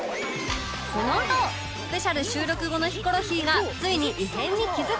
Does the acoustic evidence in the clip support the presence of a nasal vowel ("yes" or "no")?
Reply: yes